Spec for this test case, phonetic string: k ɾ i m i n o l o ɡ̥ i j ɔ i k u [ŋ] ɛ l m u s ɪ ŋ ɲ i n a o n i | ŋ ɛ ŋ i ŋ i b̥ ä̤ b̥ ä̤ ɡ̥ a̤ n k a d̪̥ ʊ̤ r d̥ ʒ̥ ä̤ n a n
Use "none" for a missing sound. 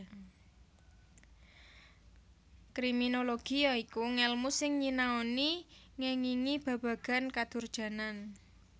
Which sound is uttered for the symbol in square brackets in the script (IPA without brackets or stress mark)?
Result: ŋ